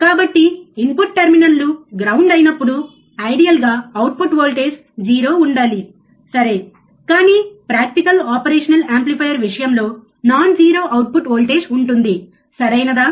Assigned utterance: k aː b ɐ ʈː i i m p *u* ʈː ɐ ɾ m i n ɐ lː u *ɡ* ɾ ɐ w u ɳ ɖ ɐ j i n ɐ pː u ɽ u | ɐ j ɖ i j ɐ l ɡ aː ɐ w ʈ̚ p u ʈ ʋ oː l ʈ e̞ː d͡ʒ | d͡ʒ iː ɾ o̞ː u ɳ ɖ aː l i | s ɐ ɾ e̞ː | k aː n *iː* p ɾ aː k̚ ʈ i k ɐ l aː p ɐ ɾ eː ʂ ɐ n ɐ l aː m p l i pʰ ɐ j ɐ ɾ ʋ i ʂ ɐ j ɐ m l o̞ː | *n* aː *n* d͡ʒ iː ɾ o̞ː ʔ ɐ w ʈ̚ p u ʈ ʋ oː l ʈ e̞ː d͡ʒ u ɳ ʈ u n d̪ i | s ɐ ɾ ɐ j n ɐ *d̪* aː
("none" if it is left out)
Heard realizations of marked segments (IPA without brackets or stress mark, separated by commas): u, ɡ, iː, n, n, d̪